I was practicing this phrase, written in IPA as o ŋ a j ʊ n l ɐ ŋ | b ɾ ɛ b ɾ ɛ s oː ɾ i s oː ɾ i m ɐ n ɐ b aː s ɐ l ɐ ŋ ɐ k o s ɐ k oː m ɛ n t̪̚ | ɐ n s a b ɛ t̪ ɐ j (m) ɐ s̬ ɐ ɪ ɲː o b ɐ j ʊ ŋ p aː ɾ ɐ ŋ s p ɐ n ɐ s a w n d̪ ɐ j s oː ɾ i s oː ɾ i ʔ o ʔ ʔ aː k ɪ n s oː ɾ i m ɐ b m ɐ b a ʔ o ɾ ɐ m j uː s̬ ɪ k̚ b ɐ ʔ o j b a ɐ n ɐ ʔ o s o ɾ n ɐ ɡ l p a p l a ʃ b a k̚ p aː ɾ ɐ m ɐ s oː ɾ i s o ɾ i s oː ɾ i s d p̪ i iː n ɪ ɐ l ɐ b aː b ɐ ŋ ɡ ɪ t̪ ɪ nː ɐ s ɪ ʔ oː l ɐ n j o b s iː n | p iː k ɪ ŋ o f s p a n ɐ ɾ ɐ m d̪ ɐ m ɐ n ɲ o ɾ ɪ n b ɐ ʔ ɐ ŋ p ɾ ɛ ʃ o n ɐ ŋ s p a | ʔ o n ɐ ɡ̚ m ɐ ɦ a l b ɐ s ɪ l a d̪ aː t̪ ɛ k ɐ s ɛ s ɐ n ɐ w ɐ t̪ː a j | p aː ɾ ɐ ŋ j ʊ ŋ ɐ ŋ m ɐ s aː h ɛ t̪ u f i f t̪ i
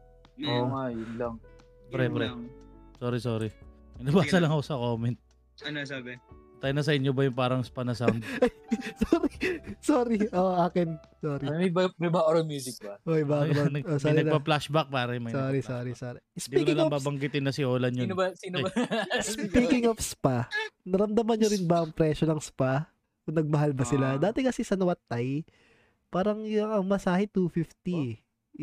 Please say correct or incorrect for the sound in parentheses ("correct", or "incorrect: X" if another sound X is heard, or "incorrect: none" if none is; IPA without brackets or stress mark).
incorrect: n